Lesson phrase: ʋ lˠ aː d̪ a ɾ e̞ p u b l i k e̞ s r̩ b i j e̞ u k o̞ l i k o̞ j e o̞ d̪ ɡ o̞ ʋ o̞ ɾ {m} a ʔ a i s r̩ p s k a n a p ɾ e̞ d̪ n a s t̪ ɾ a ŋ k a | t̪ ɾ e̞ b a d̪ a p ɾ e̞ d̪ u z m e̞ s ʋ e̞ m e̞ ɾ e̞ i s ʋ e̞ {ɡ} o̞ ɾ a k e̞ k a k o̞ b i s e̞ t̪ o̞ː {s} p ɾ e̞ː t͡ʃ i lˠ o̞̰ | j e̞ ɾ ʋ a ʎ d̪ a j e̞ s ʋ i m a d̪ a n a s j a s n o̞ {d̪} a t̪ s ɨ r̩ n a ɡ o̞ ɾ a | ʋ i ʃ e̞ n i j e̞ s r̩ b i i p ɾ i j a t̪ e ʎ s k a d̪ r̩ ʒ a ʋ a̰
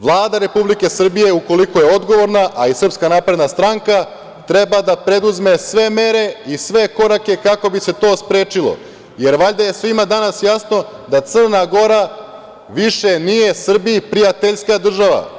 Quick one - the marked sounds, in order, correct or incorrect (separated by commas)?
incorrect, incorrect, correct, correct